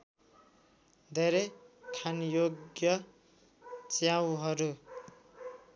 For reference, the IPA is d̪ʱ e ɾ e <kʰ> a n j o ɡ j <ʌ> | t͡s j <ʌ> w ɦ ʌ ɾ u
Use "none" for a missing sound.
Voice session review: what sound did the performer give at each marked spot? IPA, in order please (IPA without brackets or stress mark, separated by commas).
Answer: kʰ, ʌ, a